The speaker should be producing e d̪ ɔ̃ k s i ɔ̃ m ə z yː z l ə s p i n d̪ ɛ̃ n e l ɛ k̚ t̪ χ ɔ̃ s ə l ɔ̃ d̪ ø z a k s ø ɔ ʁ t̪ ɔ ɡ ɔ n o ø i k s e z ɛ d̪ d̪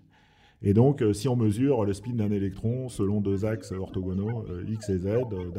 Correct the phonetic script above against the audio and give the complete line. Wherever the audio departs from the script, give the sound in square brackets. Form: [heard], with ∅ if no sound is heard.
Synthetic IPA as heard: e d̪ ɔ̃ k s i ɔ̃ m ə z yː [ʁ] l ə s p i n d̪ ɛ̃ n e l ɛ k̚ t̪ χ ɔ̃ s ə l ɔ̃ d̪ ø z a k s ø ɔ ʁ t̪ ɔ ɡ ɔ n o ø i k s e z ɛ d̪ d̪